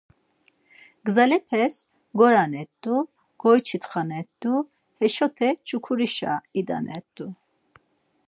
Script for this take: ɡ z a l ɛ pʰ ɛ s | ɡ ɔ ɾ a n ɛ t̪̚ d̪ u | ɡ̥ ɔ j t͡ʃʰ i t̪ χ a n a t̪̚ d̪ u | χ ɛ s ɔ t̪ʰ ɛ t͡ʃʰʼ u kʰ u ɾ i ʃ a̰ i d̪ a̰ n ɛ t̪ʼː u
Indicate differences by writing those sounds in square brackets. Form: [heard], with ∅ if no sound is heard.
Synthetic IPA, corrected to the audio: ɡ z a l ɛ pʰ ɛ s | ɡ ɔ ɾ a n ɛ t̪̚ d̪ u | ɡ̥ ɔ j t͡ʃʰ i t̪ χ a n [ɛ] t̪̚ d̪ u | [h] ɛ [ʃ] ɔ t̪ʰ ɛ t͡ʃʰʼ u kʰ u ɾ i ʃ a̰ i d̪ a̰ n ɛ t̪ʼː u

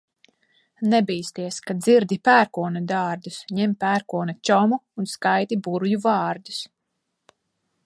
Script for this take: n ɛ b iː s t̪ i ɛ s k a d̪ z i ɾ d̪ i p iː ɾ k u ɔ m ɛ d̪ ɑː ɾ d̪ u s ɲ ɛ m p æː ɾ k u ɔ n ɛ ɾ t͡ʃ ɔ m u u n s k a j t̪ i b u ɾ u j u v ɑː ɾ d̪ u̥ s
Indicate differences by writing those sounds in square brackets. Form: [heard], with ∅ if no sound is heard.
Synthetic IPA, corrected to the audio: n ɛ b iː s t̪ i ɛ s k a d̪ z i ɾ d̪ i p [æː] ɾ k u ɔ [n] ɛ d̪ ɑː ɾ d̪ u s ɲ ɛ m p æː ɾ k u ɔ n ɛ [∅] t͡ʃ ɔ m u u n s k a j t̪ i b u ɾ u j u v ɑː ɾ d̪ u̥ s

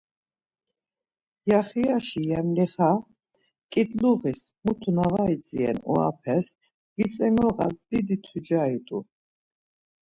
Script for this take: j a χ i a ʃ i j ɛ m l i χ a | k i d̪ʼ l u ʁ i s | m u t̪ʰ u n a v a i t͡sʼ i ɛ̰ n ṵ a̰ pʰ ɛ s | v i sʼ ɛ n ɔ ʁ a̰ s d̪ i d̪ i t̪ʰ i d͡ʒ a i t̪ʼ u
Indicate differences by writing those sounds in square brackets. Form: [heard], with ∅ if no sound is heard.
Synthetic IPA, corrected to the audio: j a χ i a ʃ i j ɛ m l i χ a | [kʼ] i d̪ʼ l u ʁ i s | m u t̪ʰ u n a v a i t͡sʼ i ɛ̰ n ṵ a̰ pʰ ɛ s | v i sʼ ɛ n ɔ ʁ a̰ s d̪ i d̪ i t̪ʰ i d͡ʒ a i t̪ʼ u

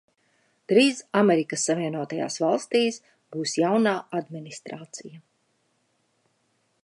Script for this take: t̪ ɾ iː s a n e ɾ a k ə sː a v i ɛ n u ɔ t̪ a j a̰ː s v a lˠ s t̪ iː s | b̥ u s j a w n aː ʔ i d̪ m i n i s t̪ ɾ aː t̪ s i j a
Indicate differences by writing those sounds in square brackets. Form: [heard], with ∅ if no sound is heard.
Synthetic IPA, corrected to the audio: t̪ ɾ iː s a [m] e ɾ [i] k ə sː a v i ɛ n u ɔ t̪ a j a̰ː s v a lˠ s t̪ iː s | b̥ [uː] s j a w n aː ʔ [a] d̪ m i n i s t̪ ɾ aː t̪ s i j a

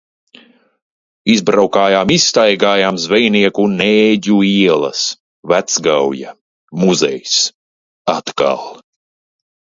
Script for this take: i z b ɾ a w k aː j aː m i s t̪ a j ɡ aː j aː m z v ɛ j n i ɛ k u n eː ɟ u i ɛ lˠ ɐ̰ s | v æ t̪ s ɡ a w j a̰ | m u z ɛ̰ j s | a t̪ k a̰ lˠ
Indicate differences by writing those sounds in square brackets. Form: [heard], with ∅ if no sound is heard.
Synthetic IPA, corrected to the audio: i z b ɾ a w k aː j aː m i s t̪ a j ɡ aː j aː m z v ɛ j n i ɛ k u n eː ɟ u i ɛ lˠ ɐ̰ s | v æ t̪ s ɡ a w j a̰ | m u z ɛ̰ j s | a t̪ k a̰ lˠ

